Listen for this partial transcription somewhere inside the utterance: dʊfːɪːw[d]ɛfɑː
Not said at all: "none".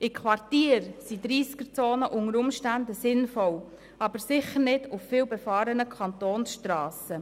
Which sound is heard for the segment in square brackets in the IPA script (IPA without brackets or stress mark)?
b